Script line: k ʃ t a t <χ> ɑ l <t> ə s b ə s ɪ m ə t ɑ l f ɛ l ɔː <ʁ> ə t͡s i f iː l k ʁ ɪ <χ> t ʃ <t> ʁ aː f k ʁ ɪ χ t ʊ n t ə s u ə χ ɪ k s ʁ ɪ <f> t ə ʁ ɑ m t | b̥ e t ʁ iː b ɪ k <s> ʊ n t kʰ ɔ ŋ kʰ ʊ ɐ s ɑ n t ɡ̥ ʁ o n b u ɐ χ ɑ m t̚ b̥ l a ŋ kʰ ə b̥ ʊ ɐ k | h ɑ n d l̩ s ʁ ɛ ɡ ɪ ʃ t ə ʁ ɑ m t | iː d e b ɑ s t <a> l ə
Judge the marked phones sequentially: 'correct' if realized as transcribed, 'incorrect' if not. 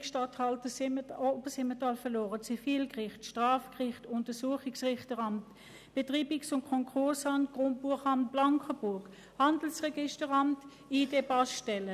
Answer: incorrect: h, correct, correct, correct, correct, incorrect: χ, correct, incorrect: ɛ

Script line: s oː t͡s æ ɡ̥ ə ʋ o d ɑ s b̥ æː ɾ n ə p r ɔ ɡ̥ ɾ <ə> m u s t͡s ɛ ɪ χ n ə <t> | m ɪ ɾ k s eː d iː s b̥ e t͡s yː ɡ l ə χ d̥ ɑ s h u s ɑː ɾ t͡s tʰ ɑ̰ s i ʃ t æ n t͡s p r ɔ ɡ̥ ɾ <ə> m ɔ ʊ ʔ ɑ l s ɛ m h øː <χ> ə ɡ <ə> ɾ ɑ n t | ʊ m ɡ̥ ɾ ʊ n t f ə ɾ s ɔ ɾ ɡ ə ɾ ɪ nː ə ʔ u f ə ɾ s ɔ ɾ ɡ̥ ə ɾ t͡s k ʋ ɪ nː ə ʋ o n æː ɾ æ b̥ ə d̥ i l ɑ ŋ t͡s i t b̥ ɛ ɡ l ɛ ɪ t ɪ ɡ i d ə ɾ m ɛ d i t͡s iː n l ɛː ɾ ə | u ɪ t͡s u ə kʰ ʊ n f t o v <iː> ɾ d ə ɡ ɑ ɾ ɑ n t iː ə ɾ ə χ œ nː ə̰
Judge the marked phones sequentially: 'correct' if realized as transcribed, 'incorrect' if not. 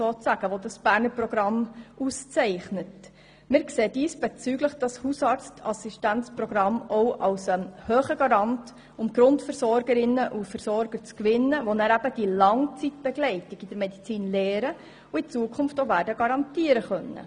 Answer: incorrect: ɑ, correct, incorrect: ɑ, correct, incorrect: ɑ, incorrect: æː

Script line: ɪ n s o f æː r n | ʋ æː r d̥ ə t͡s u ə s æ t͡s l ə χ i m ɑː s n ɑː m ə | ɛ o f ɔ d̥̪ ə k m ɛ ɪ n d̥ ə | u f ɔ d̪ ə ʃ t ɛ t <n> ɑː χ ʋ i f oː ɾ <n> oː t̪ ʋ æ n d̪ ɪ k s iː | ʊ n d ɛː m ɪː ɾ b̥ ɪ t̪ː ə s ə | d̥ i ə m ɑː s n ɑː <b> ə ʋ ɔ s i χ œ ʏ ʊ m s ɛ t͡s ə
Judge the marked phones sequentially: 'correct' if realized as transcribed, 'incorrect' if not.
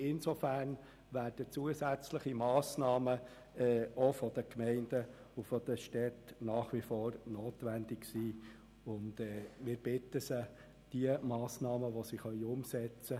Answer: correct, correct, incorrect: m

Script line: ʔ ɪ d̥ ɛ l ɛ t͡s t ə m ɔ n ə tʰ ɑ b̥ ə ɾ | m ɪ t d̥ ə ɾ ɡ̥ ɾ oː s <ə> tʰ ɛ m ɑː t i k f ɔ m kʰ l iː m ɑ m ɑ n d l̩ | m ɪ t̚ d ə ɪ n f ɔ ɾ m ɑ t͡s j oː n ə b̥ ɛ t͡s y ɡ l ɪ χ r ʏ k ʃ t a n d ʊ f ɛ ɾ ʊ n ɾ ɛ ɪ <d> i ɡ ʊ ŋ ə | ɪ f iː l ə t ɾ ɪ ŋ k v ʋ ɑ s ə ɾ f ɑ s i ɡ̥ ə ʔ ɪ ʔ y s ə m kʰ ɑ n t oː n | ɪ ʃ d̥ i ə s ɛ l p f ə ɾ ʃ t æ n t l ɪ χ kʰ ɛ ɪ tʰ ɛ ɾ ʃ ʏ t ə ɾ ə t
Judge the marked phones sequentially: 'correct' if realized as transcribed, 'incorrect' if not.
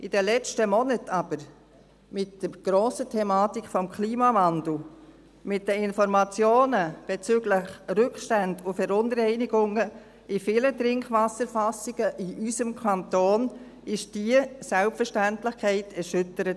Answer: correct, incorrect: n

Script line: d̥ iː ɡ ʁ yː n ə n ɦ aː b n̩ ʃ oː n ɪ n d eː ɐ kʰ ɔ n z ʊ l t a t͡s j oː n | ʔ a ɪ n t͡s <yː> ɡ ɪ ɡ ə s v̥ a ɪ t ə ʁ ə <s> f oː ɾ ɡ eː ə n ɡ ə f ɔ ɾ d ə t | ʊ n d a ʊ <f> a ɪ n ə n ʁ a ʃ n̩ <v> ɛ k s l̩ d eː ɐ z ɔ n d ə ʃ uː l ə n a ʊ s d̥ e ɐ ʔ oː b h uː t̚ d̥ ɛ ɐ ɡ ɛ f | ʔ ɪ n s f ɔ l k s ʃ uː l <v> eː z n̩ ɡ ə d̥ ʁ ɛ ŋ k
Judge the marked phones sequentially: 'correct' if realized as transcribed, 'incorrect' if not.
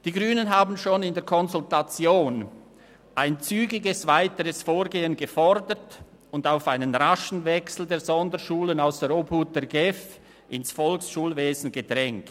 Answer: correct, correct, correct, correct, correct

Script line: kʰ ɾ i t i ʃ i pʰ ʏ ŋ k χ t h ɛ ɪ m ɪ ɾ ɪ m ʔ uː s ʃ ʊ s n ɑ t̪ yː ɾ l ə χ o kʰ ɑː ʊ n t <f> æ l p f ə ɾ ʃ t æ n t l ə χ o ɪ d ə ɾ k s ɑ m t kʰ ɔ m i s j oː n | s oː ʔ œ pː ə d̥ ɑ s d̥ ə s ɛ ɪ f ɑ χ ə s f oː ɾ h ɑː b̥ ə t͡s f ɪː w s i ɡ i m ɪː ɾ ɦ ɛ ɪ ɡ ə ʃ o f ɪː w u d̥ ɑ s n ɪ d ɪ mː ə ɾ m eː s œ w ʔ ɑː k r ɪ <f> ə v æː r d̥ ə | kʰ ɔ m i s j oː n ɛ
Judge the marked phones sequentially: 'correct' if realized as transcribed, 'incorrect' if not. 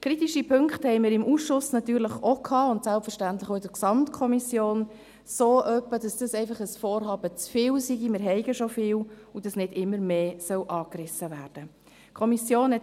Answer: incorrect: s, incorrect: s

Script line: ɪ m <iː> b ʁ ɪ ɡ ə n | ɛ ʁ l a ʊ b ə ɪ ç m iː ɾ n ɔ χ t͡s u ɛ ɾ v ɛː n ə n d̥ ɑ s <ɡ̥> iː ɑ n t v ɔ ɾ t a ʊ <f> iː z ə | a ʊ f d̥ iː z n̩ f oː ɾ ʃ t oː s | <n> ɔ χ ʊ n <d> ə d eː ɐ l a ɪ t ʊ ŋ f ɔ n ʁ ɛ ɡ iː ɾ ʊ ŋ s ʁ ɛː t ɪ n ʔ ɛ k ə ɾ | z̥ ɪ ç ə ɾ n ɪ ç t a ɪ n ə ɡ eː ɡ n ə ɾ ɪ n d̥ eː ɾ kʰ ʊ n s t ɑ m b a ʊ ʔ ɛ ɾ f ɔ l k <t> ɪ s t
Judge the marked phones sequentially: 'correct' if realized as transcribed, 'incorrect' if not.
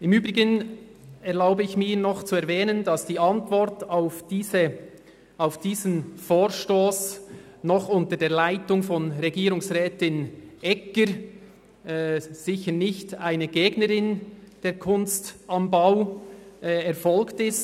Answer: incorrect: yː, incorrect: d̥, correct, correct, incorrect: t, correct

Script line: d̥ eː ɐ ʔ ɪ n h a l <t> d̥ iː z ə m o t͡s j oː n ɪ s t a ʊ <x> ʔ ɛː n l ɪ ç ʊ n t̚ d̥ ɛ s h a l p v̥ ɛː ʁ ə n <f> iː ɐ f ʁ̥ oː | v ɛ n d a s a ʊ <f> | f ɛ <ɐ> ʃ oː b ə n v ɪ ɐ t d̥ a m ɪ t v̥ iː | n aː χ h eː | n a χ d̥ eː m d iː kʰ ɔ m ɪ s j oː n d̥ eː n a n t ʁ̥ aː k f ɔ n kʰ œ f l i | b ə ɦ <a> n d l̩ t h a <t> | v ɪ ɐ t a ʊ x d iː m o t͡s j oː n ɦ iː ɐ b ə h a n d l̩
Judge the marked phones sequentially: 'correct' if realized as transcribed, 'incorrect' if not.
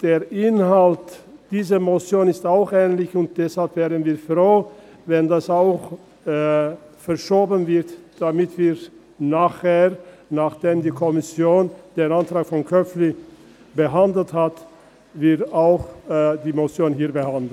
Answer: correct, correct, incorrect: v, incorrect: x, correct, correct, correct

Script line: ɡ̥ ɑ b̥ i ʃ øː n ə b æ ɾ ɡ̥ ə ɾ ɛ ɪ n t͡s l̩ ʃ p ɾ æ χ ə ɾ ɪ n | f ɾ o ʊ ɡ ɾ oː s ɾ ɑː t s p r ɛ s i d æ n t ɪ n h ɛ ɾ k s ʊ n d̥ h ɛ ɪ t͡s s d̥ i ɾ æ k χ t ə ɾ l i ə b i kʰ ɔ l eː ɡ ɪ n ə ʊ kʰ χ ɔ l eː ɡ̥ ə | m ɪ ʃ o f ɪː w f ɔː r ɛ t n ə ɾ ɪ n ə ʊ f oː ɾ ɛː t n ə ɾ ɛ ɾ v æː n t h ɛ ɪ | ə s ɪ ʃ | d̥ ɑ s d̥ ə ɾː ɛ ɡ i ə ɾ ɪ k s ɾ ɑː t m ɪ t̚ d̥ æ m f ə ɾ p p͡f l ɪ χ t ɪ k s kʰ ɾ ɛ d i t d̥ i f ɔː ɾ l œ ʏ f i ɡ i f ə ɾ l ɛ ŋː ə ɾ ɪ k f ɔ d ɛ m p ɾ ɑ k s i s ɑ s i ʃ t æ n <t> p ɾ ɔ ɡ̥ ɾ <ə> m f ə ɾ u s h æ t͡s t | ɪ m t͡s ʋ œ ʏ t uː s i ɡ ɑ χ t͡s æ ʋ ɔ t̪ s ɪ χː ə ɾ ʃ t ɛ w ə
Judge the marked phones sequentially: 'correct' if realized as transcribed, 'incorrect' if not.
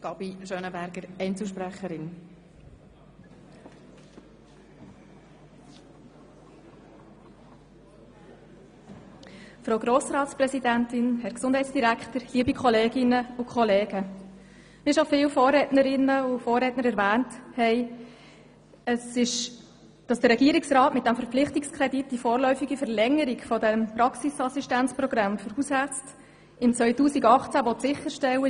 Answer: incorrect: t͡s, incorrect: ɑ

